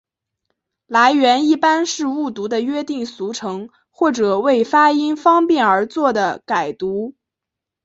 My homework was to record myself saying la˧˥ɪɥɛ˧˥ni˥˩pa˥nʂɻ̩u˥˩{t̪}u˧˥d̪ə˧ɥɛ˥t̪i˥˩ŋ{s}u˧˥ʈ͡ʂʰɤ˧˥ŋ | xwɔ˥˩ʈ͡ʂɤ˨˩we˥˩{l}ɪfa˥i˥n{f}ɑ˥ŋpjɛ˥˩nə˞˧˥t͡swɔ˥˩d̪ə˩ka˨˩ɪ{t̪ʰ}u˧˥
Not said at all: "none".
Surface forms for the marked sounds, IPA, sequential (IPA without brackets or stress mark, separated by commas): t̪, s, none, f, t̪